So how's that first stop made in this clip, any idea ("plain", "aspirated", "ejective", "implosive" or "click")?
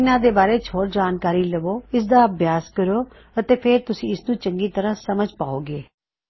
plain